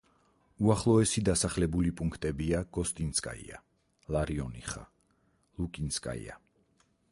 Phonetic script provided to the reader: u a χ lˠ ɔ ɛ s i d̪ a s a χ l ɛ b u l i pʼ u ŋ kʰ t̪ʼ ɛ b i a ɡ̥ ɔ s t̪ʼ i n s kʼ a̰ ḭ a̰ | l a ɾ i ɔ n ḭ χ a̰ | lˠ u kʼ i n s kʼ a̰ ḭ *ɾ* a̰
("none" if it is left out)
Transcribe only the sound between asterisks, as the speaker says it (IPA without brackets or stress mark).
none